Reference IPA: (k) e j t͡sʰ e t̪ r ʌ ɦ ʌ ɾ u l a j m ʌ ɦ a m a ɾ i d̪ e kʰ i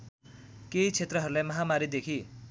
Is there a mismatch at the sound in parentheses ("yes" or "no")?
no